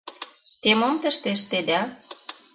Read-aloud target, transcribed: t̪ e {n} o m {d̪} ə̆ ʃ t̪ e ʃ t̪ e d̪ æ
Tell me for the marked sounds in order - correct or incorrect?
incorrect: m, incorrect: t̪

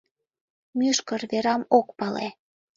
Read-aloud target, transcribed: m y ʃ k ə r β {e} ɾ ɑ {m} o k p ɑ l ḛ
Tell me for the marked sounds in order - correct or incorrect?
correct, correct

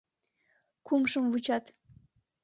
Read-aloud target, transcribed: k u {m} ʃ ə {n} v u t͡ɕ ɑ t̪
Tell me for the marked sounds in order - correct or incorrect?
correct, incorrect: m

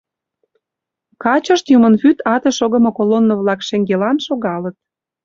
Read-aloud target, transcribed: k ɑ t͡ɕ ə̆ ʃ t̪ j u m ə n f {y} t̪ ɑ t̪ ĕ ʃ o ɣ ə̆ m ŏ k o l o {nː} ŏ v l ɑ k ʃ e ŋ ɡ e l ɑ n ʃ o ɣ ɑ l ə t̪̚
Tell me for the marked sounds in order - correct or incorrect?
correct, correct

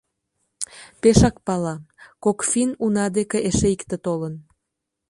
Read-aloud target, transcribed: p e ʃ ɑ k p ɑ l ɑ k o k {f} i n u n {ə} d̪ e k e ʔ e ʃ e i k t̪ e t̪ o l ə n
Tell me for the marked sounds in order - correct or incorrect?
correct, incorrect: ɑ

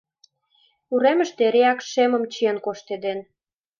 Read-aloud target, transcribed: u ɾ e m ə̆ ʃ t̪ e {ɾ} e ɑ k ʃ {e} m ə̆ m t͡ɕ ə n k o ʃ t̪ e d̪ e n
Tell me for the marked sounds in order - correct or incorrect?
correct, correct

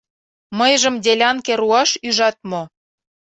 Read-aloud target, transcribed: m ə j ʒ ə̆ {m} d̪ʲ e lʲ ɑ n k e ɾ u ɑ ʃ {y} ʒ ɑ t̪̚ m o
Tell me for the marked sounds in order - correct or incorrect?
correct, correct

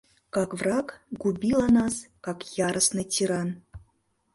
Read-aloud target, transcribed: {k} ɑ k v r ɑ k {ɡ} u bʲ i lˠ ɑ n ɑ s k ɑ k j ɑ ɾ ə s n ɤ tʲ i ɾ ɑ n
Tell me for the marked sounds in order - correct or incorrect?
correct, correct

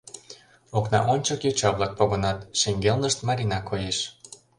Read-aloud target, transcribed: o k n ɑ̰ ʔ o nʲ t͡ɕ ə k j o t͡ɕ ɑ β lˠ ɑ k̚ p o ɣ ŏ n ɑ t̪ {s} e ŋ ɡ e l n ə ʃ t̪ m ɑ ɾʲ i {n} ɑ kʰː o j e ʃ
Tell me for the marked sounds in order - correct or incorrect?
incorrect: ʃ, correct

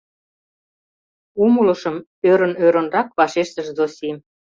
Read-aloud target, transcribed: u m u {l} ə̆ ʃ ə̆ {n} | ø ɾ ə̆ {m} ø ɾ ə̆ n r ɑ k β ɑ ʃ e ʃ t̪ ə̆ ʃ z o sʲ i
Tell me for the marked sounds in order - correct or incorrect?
correct, incorrect: m, incorrect: n

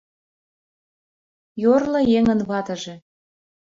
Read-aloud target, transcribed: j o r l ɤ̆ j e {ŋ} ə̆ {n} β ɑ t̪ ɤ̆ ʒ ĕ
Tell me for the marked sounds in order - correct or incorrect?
correct, correct

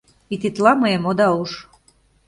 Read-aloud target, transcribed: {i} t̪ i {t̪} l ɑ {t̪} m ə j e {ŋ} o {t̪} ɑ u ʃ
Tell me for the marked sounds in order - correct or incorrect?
correct, correct, incorrect: none, incorrect: m, incorrect: d̪

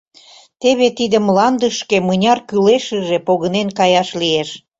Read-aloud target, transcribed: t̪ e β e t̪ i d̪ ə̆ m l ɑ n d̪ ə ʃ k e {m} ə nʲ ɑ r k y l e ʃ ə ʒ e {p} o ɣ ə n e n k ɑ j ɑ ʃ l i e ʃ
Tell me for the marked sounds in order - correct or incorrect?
correct, correct

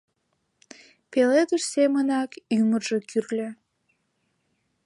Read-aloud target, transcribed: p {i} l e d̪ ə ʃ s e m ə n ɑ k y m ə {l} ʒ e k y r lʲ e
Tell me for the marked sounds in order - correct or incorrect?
incorrect: e, incorrect: r

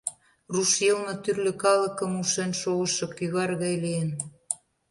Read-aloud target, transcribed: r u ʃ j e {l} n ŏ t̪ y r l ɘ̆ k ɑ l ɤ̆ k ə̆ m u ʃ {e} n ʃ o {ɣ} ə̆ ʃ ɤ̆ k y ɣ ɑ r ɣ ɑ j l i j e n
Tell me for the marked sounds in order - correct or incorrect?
correct, correct, correct

